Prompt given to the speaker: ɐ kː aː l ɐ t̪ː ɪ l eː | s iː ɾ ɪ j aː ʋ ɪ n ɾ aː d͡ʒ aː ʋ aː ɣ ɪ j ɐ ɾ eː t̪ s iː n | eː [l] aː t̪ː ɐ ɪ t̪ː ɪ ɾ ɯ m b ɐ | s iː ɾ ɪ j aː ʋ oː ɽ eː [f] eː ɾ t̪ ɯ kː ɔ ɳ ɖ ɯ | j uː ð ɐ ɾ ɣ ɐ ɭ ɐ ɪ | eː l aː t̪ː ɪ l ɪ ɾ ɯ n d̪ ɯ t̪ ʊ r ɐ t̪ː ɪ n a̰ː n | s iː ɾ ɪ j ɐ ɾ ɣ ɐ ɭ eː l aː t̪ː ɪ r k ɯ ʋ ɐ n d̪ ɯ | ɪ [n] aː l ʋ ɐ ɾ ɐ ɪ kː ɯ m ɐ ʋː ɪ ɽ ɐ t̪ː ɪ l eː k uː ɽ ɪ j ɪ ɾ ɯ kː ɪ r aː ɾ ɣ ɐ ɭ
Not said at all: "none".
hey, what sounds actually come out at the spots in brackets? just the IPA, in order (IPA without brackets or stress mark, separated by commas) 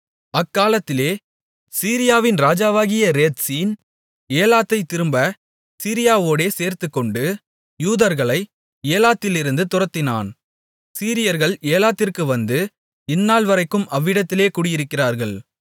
l, s, nː